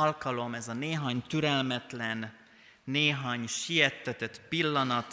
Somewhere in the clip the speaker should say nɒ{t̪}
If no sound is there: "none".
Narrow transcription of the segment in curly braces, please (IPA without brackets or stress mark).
t̪